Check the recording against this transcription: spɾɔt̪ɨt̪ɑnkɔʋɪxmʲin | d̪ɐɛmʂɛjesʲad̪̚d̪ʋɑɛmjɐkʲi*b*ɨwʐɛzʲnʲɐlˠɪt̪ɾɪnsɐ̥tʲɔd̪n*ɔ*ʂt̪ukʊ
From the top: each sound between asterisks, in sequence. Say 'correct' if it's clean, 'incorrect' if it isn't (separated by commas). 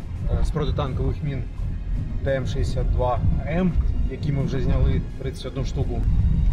incorrect, incorrect